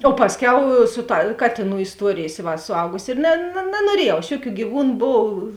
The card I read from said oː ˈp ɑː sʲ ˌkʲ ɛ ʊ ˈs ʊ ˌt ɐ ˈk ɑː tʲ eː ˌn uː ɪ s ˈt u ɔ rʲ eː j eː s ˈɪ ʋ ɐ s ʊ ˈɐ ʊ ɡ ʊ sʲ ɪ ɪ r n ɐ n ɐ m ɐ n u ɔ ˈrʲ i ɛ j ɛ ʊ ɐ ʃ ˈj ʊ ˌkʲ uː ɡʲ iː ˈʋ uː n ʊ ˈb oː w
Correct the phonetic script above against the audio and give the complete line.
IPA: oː ˈp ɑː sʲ ˌkʲ ɛ ʊ ˈs ʊ ˌt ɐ ˈk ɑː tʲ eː ˌn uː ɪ s ˈt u ɔ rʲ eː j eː s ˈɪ ʋ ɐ s ʊ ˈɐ ʊ ɡ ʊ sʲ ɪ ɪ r n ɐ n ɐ n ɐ n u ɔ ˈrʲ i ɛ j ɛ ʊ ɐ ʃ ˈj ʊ ˌkʲ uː ɡʲ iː ˈʋ uː n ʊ ˈb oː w

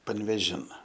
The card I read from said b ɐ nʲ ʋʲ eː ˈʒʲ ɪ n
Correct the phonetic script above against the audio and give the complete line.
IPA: p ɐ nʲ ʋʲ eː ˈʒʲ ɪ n

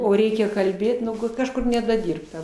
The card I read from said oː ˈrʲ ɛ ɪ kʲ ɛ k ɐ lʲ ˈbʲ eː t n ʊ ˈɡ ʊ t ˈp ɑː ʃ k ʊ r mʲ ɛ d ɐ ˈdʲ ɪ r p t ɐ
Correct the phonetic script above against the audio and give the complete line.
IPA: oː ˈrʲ ɛ ɪ kʲ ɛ k ɐ lʲ ˈbʲ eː t n ʊ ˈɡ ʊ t ˈk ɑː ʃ k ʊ r nʲ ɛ d ɐ ˈdʲ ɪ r p t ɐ

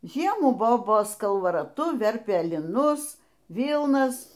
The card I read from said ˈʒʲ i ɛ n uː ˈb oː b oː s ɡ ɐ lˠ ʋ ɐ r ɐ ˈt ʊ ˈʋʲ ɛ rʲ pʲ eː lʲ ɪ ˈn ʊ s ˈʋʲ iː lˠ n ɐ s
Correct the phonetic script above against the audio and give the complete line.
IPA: ˈʒʲ i ɛ m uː ˈb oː b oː s k ɐ lˠ ʋ ɐ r ɐ ˈt ʊ ˈʋʲ ɛ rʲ pʲ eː lʲ ɪ ˈn ʊ s ˈʋʲ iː lˠ n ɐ s

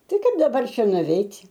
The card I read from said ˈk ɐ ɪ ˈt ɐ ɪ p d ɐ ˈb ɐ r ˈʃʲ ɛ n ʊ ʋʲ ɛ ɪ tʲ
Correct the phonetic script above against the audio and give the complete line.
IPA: ˈt ɐ ɪ ˈk ɐ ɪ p d ɐ ˈb ɐ r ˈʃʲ ɛ n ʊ ʋʲ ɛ ɪ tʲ

